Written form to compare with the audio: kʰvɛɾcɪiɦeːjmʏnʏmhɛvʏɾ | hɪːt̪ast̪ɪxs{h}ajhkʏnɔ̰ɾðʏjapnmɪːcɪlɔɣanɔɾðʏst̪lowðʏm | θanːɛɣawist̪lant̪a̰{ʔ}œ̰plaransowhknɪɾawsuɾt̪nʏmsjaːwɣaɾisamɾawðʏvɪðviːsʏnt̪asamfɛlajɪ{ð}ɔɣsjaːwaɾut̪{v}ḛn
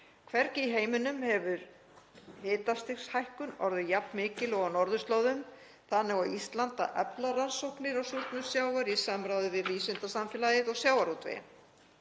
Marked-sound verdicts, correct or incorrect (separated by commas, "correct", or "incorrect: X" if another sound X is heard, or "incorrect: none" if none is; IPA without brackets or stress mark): correct, correct, correct, correct